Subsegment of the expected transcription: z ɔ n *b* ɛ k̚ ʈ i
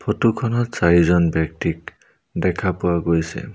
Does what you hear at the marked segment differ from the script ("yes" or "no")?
no